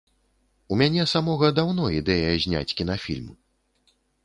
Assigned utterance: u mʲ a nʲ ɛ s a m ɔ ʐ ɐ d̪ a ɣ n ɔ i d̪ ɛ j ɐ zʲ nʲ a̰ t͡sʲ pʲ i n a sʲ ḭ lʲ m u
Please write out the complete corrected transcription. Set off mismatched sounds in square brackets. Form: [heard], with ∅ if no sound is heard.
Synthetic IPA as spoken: u mʲ a nʲ ɛ s a m ɔ [ɣ] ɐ d̪ a [w] n ɔ i d̪ ɛ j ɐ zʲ nʲ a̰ t͡sʲ [kʲ] i n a [fʲ] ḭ lʲ m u